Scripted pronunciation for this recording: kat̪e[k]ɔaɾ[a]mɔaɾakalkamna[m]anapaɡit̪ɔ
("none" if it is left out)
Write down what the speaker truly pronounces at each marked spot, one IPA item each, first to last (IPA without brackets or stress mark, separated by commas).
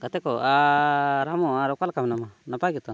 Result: k, a, m